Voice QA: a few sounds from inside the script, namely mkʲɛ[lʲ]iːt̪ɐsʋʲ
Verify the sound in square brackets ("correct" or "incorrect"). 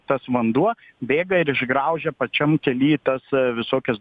correct